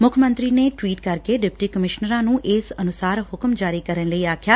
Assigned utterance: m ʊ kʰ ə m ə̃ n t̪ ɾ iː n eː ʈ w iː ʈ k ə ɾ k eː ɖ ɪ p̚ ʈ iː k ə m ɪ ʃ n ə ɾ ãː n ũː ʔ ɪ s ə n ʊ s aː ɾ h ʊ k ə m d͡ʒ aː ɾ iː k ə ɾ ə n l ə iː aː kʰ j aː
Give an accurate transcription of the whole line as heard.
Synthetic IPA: m ʊ kʰ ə m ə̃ n t̪ ɾ iː n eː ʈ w iː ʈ k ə ɾ k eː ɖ ɪ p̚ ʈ iː k ə m ɪ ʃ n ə ɾ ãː n ũː ʔ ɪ s ə n ʊ s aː ɾ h ʊ k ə m d͡ʒ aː ɾ iː k ə ɾ ə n l ə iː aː kʰ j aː